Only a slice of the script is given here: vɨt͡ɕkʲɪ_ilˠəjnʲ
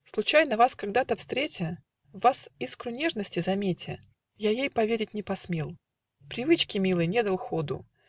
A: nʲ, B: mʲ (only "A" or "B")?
B